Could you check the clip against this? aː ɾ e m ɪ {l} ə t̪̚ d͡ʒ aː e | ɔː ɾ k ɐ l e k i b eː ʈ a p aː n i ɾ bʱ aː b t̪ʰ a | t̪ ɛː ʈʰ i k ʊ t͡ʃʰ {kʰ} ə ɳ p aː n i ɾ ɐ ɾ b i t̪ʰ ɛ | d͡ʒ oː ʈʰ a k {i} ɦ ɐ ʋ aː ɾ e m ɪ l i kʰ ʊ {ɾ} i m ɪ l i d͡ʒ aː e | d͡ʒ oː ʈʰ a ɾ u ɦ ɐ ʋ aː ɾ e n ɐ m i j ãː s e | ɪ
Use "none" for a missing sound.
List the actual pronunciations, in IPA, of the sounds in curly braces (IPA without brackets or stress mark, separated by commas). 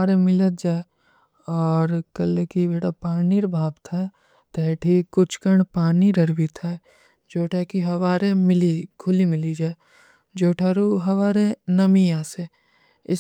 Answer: l, k, i, l